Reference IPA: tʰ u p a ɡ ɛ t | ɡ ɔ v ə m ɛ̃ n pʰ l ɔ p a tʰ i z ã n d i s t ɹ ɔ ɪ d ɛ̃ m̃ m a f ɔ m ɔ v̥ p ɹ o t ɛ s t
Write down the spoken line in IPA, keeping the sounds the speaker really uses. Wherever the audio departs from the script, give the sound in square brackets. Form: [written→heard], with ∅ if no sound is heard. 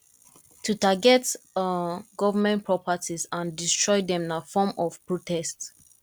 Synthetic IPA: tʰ u [p→t] a ɡ ɛ t | ɡ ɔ v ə m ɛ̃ n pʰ [l→ɹ] ɔ p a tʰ i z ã n d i s t ɹ ɔ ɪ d ɛ̃ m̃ [m→n] a f ɔ m ɔ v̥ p ɹ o t ɛ s t